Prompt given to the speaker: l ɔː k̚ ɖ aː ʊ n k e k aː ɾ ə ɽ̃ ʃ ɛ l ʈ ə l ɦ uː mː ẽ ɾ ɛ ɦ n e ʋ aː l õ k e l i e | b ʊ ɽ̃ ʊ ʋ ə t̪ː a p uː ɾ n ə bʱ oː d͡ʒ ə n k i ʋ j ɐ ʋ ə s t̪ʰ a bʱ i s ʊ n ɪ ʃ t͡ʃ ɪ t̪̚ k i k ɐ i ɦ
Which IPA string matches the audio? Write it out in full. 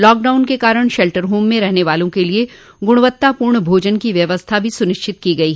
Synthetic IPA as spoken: l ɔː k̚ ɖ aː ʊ n k e k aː ɾ ə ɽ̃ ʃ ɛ l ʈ ə ɾ ɦ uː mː ẽ ɾ ɛ ɦ n e ʋ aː l õ k e l i e | ɡ ʊ ɽ̃ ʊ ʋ ə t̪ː a p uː ɾ ɳ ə bʱ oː d͡ʒ ə n k i ʋ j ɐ ʋ ə s t̪ʰ a bʱ i s ʊ n ɪ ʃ t͡ʃ ɪ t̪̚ k i ɡ ɐ i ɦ